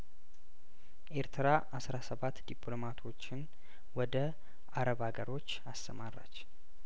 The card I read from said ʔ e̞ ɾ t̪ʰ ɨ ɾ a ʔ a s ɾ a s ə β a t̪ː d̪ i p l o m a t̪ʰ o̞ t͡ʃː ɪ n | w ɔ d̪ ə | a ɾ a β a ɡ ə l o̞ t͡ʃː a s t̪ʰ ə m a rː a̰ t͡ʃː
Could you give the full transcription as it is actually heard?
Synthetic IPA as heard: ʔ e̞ ɾ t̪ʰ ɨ ɾ a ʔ a s ɾ a s ə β a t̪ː d̪ i p l o m a t̪ʰ o̞ t͡ʃː ɪ n | w ɔ d̪ ə | a ɾ ə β a ɡ ə ɾ o̞ t͡ʃː a s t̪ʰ ə m a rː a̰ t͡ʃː